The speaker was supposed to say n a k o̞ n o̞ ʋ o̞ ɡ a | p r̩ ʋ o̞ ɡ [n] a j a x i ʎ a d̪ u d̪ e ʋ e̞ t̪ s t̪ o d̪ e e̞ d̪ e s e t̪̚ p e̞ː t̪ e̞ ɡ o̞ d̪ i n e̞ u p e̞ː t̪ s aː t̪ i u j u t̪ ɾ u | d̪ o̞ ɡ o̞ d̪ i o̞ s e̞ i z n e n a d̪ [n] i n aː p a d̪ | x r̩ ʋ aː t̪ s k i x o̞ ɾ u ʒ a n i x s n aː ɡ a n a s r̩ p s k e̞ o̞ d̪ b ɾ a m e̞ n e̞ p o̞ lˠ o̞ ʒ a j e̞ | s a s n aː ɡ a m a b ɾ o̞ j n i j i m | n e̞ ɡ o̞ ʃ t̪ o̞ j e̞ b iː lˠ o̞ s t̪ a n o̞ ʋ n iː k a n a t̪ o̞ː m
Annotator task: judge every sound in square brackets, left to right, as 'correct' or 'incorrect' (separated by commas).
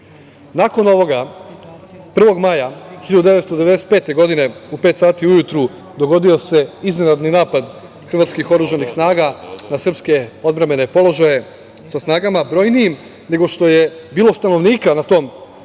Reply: incorrect, correct